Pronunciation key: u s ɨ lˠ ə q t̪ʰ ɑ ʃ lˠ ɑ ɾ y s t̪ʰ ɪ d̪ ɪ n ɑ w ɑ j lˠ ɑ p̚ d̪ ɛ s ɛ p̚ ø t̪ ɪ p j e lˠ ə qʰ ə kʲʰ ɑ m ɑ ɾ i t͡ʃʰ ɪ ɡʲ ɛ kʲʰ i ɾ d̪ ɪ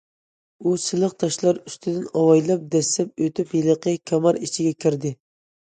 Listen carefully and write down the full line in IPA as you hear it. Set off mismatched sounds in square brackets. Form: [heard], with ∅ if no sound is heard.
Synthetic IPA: u s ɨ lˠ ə q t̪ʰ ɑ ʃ lˠ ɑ ɾ y s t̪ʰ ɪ d̪ ɪ n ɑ w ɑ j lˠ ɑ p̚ d̪ ɛ s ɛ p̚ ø t̪ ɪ p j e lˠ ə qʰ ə kʲʰ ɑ m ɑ ɾ i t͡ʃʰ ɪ ɡʲ ɛ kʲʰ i ɾ d̪ ɪ